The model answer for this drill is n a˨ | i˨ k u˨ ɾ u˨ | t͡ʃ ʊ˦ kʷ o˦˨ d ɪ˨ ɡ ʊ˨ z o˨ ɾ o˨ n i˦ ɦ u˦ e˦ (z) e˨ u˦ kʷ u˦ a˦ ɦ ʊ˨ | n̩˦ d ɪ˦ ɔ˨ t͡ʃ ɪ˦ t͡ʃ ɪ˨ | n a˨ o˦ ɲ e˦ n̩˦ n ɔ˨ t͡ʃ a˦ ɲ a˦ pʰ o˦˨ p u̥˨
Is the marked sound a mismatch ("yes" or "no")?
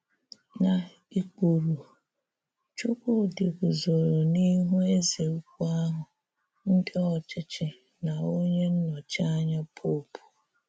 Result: no